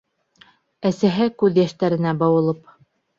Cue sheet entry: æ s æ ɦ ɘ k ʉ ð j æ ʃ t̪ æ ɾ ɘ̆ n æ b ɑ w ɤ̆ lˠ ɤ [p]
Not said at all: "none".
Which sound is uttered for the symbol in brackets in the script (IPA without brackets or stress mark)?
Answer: p